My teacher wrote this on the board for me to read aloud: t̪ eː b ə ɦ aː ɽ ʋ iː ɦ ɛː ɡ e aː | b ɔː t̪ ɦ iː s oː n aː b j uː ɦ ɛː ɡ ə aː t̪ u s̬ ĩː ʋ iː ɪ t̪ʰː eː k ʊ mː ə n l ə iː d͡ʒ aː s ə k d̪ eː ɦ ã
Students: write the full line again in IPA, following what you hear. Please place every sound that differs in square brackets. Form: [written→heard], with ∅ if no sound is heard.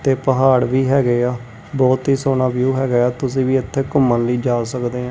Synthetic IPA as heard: t̪ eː [b→p] ə ɦ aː ɽ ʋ iː ɦ ɛː ɡ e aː | b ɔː t̪ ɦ iː s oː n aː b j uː ɦ ɛː ɡ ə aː t̪ [u→ʊ] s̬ ĩː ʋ iː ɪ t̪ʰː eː k ʊ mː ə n l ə iː d͡ʒ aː s ə k d̪ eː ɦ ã